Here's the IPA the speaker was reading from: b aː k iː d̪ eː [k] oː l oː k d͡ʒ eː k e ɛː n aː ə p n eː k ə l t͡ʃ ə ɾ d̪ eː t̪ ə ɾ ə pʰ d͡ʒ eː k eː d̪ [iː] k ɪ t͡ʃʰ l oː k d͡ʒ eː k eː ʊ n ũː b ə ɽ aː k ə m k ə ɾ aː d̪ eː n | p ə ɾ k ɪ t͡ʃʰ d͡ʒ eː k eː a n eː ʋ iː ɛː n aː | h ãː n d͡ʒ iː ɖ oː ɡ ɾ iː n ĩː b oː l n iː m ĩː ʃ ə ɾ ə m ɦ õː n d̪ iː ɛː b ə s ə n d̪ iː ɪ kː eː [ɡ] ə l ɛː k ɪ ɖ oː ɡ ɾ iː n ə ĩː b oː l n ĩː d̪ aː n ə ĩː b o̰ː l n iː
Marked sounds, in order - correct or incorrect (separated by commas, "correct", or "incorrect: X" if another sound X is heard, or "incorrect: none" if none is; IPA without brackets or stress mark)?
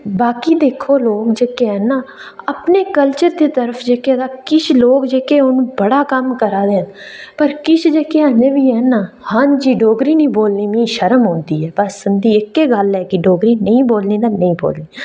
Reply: incorrect: kʰ, incorrect: aː, correct